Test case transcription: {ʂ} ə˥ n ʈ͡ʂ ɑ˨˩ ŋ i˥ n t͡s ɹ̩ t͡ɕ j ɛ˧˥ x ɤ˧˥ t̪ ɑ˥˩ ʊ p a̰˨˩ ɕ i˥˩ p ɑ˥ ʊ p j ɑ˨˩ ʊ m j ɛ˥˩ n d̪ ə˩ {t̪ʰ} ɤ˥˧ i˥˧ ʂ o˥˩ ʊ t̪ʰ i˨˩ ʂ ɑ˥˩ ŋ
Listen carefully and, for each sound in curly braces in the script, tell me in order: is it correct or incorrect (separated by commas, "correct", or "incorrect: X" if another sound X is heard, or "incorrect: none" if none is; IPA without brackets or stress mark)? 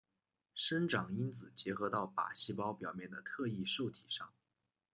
correct, correct